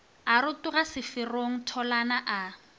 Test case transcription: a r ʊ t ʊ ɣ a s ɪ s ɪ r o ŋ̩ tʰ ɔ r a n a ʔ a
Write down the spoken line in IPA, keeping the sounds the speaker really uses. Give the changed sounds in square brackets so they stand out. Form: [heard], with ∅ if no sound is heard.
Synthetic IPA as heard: a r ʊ t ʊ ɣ a s ɪ [f] ɪ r o ŋ̩ tʰ ɔ [l] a n a ʔ a